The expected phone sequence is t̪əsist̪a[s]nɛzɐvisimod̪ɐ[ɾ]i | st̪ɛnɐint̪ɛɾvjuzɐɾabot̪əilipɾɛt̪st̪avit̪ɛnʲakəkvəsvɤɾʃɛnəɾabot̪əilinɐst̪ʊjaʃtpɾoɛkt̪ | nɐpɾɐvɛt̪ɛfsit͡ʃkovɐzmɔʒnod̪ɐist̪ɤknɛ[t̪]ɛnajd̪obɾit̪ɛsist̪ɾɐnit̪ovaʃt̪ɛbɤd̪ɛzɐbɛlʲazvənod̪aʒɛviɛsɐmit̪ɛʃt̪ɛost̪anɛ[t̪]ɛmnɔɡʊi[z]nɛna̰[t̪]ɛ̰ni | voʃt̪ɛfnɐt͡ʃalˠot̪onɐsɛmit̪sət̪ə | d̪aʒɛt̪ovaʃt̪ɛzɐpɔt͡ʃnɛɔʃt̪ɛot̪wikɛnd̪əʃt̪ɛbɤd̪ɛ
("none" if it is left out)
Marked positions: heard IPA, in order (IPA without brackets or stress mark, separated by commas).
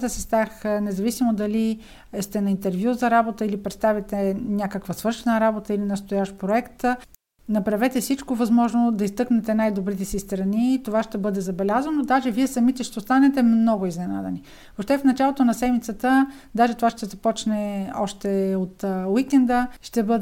x, l, t̪, t̪, z, d̪